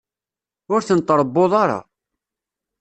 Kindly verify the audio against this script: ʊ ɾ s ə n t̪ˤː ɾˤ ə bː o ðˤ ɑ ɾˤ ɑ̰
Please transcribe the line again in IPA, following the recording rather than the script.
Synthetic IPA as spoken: ʊ ɾ θ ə n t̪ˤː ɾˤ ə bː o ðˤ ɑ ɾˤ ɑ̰